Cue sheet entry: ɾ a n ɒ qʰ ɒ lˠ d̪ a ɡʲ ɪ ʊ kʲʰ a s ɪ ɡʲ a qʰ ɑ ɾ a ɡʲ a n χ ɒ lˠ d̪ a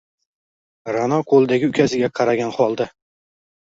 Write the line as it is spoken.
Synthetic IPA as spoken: ɾ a n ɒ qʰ o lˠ d̪ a ɡʲ ɪ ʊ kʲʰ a s ɪ ɡʲ a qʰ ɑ ɾ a ɡʲ a n χ ɒ lˠ d̪ a

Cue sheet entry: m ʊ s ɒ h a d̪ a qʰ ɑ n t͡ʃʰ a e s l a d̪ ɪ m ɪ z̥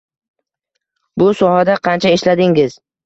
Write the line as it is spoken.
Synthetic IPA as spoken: b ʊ s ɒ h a d̪ a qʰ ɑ n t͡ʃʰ a e ʃ l a d̪ ɪ ŋ ɪ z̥

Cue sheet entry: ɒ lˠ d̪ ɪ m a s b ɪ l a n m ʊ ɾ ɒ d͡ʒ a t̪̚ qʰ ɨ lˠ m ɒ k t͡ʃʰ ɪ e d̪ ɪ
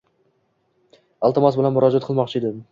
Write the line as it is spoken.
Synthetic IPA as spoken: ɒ lˠ t̪ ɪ m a s b ɪ l a n m ʊ ɾ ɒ d͡ʒ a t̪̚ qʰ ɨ lˠ m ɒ q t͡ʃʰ ɪ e d̪ ɪ

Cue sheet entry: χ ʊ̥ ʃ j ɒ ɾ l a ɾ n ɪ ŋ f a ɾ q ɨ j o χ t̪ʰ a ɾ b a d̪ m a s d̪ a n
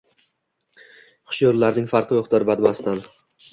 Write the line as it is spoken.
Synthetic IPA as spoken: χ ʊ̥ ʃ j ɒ ɾ l a ɾ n ɪ ŋ f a ɾ q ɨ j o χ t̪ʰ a ɾ b a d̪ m a s t̪ a n

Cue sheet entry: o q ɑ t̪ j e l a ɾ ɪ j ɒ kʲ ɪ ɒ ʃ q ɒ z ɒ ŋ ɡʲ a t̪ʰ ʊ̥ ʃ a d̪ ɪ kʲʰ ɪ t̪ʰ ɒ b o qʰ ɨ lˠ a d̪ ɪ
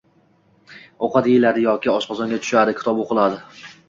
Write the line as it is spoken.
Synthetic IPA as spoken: o q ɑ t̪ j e l a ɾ ɪ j ɒ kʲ ɪ ɒ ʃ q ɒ z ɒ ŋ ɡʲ a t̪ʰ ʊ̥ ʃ a d̪ ɪ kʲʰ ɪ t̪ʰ ɒ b o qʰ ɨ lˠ a d̪ ɪ

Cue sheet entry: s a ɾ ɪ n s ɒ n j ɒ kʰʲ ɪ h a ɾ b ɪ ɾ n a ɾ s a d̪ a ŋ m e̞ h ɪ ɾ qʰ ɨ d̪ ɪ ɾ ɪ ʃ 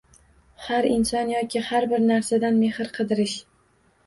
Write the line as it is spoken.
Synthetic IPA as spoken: h a ɾ ɪ n s ɒ n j ɒ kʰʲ ɪ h a ɾ b ɪ ɾ n a ɾ s a d̪ a n m e̞ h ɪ ɾ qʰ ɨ d̪ ɪ ɾ ɪ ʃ

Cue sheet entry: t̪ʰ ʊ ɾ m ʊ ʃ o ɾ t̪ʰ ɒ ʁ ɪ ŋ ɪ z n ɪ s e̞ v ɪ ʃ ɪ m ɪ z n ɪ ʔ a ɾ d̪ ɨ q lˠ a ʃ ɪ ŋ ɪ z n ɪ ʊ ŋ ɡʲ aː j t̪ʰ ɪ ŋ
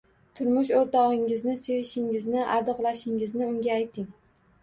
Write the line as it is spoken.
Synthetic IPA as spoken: t̪ʰ ʊ ɾ m ʊ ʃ o ɾ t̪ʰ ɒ ʁ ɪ ŋ ɪ z n ɪ s e̞ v ɪ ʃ ɪ ŋ ɪ z n ɪ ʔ a ɾ d̪ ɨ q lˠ a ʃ ɪ ŋ ɪ z n ɪ ʊ ŋ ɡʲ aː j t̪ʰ ɪ ŋ

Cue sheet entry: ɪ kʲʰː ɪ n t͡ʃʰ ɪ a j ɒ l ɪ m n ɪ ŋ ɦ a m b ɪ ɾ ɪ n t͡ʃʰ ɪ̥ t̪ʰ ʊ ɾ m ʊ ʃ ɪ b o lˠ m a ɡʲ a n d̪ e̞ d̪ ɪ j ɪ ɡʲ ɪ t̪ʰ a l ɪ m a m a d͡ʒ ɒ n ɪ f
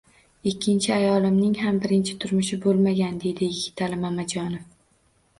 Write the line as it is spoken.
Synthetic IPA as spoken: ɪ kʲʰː ɪ n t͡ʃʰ ɪ a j ɒ l ɪ m n ɪ ŋ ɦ a m b ɪ ɾ ɪ n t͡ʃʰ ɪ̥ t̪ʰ ʊ ɾ m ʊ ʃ ɪ b o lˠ m a ɡʲ a n d̪ e̞ d̪ ɪ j ɪ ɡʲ ɪ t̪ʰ a l ɪ m a m a d͡ʒ ɒ n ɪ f

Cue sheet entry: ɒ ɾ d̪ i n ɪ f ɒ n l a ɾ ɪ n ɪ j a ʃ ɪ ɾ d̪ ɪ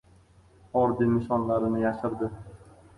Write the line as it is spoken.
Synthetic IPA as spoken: ɒ ɾ d̪ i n ɪ ʃ ɒ n l a ɾ ɪ n ɪ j a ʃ ɪ ɾ d̪ ɪ

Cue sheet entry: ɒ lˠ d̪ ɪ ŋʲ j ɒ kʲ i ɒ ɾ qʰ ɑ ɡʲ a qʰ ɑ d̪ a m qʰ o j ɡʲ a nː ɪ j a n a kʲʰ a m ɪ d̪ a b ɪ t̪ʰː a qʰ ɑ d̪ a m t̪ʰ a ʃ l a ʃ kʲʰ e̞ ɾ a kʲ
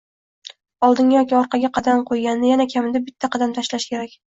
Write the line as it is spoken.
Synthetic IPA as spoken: ɒ lˠ d̪ ɪ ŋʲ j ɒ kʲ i ɒ ɾ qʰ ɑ ɡʲ a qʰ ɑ d̪ a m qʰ o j ɡʲ a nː ɪ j a n a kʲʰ a m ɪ d̪ a b ɪ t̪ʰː a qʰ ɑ d̪ a m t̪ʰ a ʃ l a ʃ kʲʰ e̞ ɾ a kʲ

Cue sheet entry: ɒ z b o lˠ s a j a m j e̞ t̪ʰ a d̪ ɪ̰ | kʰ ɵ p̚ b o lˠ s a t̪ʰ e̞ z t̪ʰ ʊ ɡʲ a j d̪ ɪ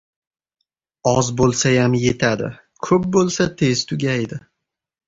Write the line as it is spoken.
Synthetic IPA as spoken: ɒ z b o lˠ s a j a m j e̞ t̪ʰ a d̪ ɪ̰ | kʰ ɵ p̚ b o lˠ s a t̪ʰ e̞ z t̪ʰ ʊ ɡʲ a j d̪ ɪ

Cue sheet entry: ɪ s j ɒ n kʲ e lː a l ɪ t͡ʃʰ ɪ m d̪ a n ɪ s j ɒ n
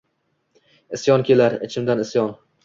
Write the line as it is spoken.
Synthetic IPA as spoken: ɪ s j ɒ n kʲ e l a ɾ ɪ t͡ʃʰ ɪ m d̪ a n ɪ s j ɒ n

